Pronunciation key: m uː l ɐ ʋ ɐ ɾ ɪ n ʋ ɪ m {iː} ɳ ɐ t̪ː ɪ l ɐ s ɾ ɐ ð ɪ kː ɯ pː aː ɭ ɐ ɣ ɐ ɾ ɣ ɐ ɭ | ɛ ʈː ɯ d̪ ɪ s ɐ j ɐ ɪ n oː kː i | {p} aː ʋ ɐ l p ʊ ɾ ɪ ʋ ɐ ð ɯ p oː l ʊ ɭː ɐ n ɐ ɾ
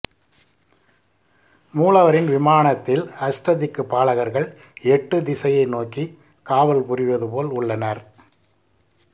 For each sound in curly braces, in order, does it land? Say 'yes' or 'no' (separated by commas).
no, no